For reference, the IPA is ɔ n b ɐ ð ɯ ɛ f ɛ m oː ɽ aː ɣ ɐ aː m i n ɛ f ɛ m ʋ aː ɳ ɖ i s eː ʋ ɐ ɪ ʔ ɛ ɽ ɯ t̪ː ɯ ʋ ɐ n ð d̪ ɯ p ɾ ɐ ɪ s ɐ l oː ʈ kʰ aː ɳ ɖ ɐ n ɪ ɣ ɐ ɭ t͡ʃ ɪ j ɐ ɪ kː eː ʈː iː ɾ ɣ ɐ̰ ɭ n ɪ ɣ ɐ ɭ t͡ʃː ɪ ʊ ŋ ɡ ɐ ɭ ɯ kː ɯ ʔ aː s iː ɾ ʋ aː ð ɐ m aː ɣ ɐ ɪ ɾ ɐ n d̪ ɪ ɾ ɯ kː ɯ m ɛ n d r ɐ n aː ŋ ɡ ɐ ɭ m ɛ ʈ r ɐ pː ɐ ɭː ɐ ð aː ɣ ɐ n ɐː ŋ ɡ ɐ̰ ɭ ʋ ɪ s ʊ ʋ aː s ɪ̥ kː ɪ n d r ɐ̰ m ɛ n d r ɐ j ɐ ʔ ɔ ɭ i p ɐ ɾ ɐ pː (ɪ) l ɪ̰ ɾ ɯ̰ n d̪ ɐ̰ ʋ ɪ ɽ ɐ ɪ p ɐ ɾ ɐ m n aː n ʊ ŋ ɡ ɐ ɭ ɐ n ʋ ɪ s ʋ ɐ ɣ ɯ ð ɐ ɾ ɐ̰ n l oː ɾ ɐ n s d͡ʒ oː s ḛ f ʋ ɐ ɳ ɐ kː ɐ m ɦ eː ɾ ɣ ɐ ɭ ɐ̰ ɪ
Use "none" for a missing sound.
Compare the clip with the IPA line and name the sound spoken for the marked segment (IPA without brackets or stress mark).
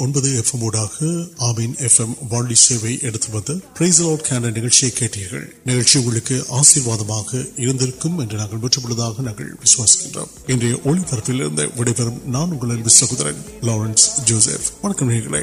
ɪ